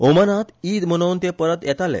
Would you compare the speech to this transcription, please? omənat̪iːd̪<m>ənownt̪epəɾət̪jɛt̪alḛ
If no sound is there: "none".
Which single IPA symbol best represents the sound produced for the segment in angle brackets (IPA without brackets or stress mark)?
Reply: m